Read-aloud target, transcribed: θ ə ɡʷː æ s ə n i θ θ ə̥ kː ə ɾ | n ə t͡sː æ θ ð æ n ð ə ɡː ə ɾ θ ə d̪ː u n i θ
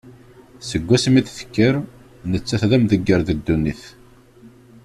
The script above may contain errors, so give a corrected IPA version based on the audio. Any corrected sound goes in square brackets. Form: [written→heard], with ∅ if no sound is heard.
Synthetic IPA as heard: [θ→s] ə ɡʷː æ s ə [n→m] i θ θ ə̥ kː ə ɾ | n ə t͡sː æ θ ð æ [n→m] ð ə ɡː ə ɾ [θ→ð] ə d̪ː u n i θ